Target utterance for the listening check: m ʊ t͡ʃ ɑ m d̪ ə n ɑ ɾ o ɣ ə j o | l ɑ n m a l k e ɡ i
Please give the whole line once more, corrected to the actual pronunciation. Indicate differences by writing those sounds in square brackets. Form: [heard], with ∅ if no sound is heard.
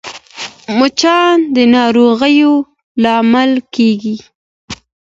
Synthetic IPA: m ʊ t͡ʃ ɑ [n] d̪ ə n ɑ ɾ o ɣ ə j o | l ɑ [∅] m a l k e ɡ i

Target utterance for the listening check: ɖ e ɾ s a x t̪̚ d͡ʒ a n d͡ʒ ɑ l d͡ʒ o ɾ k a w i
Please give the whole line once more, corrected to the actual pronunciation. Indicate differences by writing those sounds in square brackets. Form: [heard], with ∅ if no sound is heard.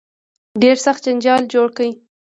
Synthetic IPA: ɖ e ɾ s a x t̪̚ d͡ʒ a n d͡ʒ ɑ l d͡ʒ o [ɽ] k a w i

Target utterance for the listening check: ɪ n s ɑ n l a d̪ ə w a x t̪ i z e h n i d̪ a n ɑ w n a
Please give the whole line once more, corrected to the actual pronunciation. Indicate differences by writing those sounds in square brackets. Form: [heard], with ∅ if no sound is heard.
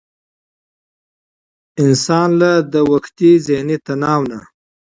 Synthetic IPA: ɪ n s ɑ n l a d̪ ə w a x t̪ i z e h n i [t̪] a n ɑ w n a

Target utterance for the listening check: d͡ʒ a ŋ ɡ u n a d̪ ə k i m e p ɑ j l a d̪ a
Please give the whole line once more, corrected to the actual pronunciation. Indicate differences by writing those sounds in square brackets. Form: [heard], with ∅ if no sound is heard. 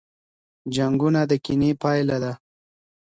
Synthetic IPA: d͡ʒ a ŋ ɡ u n a d̪ ə k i [n] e p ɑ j l a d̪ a

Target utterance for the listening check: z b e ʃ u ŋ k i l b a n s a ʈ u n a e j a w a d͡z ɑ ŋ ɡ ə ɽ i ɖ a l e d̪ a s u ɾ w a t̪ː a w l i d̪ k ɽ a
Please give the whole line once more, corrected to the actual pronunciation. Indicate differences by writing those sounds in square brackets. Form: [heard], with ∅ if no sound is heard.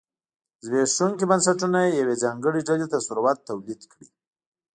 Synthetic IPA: z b e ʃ u ŋ k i [∅] b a n s a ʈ u n a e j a w [e] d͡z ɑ ŋ ɡ ə ɽ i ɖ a l e [t̪] a s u ɾ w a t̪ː a w l i d̪ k ɽ [i]

